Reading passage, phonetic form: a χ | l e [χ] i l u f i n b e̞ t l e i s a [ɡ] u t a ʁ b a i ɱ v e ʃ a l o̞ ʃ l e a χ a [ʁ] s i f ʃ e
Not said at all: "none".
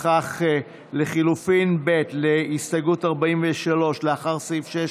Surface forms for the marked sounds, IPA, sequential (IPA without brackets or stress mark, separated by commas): χ, ɡ, ʁ